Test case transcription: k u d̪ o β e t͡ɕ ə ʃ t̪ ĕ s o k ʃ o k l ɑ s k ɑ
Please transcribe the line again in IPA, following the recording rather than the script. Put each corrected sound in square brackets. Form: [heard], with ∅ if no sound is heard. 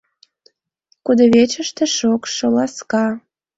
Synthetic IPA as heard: k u d̪ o β e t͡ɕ ə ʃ t̪ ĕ [ʃ] o k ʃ o [∅] l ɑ s k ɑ